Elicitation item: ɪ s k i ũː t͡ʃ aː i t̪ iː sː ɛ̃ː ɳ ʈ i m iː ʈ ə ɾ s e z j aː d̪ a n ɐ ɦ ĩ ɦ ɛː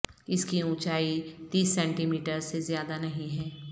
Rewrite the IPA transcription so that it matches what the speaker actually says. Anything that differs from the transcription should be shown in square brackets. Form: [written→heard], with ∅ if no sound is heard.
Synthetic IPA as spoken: ɪ s k i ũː t͡ʃ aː i t̪ iː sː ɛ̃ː ɳ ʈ i m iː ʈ ə ɾ s e z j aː d̪ a n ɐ ɦ ĩ ɦ ɛː